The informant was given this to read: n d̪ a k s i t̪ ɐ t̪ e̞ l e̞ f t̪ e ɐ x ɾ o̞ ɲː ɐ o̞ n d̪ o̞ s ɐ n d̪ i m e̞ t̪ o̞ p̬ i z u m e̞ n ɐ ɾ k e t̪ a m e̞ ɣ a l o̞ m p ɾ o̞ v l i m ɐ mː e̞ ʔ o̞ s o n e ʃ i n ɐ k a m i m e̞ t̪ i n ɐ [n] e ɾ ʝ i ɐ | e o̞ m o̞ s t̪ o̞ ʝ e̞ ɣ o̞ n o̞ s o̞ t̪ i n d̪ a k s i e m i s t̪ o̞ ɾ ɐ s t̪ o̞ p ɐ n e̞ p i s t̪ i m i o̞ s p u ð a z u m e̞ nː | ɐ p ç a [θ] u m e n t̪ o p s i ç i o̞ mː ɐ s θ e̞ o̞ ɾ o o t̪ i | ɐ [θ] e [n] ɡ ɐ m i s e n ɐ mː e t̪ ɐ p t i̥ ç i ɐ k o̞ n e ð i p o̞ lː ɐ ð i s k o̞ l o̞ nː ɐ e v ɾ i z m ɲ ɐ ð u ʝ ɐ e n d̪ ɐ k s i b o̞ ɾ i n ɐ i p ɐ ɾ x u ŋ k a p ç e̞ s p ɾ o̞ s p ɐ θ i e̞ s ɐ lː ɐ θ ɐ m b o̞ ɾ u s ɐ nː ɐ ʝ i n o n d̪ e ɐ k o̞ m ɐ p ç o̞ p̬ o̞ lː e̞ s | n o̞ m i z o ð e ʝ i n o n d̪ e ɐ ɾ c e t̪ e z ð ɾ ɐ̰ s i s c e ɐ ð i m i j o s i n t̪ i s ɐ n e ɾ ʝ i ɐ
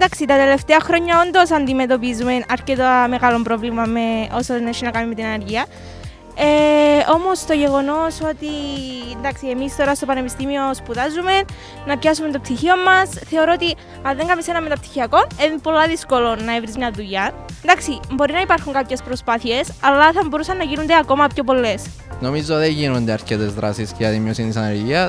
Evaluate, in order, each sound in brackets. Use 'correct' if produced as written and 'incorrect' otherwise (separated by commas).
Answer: correct, incorrect, incorrect, incorrect